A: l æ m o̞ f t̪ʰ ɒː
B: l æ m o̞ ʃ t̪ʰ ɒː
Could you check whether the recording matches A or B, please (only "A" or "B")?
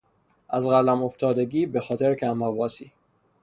A